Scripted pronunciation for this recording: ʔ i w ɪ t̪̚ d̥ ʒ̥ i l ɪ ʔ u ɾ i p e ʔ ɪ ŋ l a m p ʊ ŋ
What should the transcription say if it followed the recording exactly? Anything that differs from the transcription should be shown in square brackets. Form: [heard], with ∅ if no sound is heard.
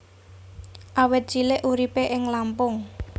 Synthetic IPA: ʔ [a] w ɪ t̪̚ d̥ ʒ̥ i l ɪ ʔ u ɾ i p e ʔ ɪ ŋ l a m p ʊ ŋ